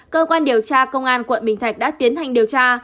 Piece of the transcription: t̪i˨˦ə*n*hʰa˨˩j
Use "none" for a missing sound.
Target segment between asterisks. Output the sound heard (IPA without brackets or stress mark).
n